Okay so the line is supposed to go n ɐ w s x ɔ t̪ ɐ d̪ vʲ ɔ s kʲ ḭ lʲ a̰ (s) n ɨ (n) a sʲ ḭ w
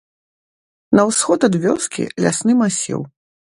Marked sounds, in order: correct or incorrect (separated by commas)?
correct, incorrect